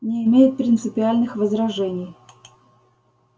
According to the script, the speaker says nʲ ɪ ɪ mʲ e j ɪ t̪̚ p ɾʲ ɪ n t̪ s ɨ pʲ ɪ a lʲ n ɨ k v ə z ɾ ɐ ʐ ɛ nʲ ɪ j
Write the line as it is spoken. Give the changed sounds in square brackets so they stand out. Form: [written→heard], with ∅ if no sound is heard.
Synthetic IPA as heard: nʲ ɪ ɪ mʲ e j ɪ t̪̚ p ɾʲ ɪ n t̪ s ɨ pʲ ɪ a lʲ n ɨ [k→x] v ə z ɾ ɐ ʐ ɛ nʲ ɪ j